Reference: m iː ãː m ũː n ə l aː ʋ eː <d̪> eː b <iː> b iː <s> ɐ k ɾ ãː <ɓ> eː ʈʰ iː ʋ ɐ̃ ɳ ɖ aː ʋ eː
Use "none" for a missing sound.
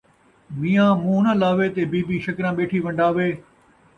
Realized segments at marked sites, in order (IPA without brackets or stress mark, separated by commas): t̪, iː, ʃ, ɓ